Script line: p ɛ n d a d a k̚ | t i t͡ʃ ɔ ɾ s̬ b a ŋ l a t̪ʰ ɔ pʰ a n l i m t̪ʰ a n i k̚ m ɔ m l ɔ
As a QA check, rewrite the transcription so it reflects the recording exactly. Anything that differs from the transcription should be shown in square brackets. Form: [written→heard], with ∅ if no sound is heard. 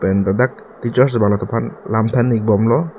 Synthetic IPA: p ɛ n d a d a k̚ | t i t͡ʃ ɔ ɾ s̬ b a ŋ l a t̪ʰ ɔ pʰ a n l [i→a] m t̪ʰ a n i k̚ [m→b] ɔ m l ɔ